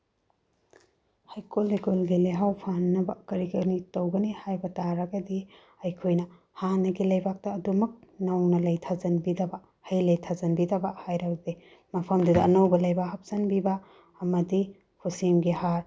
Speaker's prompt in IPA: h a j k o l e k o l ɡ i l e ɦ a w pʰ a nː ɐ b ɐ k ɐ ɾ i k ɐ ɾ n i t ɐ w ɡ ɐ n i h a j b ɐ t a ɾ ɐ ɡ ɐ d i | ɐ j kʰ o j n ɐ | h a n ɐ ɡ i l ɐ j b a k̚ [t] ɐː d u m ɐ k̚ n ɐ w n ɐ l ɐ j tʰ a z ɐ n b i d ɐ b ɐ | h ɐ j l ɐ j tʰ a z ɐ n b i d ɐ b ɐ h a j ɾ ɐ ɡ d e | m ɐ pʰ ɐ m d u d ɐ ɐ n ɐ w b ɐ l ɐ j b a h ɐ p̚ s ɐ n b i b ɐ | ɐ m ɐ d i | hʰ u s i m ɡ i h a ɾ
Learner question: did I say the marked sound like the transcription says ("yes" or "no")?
yes